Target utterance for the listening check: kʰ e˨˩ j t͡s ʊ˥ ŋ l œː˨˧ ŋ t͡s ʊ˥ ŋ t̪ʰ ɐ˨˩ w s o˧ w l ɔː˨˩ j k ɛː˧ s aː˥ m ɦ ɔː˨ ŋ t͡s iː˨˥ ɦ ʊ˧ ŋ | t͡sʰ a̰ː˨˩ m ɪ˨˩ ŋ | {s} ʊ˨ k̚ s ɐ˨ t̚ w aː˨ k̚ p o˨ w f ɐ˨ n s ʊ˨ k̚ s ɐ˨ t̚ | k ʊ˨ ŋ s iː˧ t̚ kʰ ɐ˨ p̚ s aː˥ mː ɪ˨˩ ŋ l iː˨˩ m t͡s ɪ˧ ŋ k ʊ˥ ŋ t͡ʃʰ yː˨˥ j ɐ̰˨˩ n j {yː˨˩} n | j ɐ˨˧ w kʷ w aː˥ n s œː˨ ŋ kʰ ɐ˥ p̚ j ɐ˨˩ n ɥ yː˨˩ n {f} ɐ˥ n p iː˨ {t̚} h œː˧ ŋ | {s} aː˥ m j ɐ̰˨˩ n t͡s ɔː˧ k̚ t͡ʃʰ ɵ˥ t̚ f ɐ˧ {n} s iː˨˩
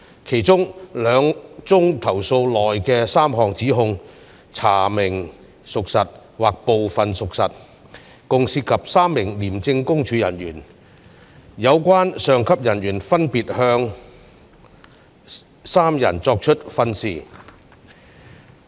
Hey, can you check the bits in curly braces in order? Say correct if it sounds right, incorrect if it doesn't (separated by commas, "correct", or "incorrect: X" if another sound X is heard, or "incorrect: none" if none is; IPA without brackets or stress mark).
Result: correct, correct, correct, correct, correct, correct